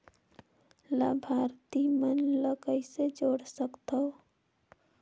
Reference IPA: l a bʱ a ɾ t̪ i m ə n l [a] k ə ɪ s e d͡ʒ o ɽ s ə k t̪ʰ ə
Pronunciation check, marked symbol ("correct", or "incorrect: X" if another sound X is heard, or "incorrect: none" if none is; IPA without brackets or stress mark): incorrect: ə